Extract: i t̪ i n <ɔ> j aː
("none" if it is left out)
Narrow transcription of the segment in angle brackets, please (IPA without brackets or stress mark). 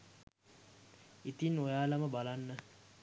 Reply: o